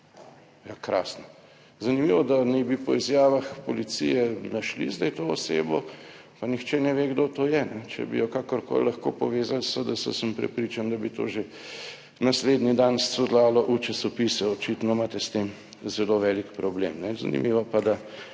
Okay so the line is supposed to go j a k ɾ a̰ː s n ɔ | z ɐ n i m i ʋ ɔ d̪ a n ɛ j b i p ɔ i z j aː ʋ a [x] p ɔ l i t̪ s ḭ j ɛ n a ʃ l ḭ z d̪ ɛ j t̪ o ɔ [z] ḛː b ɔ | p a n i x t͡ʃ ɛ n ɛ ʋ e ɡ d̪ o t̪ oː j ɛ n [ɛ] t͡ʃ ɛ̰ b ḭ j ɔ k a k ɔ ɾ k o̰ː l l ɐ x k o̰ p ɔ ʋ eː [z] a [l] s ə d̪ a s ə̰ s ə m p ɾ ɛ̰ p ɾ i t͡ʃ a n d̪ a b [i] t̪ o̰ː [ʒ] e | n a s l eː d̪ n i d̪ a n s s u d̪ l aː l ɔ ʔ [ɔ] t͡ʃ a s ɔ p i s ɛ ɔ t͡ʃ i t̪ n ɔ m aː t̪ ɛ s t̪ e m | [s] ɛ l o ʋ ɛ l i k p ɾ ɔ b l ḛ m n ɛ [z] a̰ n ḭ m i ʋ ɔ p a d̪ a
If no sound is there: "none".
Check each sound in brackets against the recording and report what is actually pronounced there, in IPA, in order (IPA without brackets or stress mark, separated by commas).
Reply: x, s, ɛ, z, l, i, ʒ, u, z, z